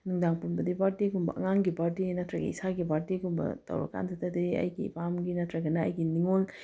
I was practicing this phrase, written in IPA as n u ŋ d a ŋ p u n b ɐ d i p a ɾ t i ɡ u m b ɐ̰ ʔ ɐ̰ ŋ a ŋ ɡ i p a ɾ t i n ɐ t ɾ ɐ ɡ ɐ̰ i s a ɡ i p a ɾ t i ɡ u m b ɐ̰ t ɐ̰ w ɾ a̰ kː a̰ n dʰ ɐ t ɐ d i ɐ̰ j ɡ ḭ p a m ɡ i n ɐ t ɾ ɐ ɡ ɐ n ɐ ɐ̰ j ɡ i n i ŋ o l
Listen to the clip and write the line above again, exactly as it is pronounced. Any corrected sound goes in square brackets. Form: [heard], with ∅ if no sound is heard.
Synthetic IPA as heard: n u ŋ d a ŋ p u n b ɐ d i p a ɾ t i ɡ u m b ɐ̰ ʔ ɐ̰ ŋ a ŋ ɡ i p a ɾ t i n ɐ t ɾ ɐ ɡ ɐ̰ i s a ɡ i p a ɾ t i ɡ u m b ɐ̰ t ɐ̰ w ɾ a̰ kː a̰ n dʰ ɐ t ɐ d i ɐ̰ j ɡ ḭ p a m ɡ i n ɐ t ɾ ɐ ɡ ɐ n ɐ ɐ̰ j ɡ i n i ŋ o l